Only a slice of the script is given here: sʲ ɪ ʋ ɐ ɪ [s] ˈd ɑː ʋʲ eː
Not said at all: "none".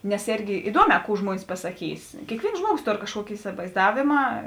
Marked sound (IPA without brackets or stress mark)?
z